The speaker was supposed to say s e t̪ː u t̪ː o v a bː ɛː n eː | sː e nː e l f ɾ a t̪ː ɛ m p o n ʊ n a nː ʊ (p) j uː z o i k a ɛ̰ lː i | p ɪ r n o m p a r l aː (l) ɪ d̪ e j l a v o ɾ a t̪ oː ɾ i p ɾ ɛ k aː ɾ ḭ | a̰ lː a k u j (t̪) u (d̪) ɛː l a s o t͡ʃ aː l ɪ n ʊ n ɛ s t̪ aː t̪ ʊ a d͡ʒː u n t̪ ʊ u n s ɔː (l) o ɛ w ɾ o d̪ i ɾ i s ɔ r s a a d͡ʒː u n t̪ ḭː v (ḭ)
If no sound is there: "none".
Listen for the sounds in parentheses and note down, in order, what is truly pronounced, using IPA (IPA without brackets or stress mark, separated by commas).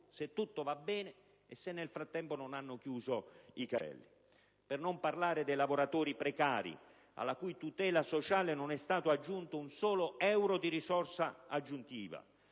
k, ɾ, t̪, t̪, l, a̰